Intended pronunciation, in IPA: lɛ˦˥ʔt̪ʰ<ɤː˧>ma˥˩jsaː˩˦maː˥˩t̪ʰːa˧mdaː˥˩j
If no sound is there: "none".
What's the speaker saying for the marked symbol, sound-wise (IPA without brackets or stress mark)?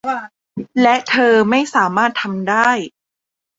ɤː˧